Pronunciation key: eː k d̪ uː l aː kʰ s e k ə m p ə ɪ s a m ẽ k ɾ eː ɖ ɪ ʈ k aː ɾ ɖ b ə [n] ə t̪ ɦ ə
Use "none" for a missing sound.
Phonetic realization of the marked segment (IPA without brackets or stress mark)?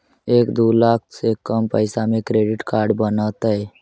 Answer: n